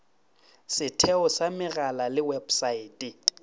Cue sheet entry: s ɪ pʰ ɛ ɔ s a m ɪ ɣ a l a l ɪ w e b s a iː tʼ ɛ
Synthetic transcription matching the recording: s ɪ tʰ ɛ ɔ s a m ɪ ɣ a l a l ɪ w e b s a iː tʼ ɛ